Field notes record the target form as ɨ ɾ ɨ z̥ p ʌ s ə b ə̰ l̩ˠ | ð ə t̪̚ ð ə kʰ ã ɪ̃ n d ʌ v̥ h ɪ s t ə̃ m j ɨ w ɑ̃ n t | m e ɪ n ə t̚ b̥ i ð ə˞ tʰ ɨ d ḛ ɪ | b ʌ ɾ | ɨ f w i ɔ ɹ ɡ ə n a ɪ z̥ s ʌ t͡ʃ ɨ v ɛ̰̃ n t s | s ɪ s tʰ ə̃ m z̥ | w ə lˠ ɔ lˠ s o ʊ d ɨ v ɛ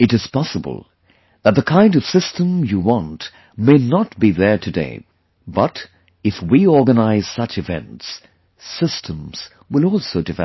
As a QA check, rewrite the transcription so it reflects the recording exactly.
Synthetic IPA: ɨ ɾ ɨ z̥ p ɑ s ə b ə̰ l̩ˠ | ð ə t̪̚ ð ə kʰ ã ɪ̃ n d ʌ v̥ s ɪ s t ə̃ m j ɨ w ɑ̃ n t | m e ɪ n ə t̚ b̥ i ð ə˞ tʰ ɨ d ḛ ɪ | b ʌ ɾ | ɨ f w i ɔ ɹ ɡ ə n a ɪ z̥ s ʌ t͡ʃ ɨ v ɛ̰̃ n t s | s ɪ s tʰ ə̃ m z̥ | w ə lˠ ɔ lˠ s o ʊ d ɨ v ɛ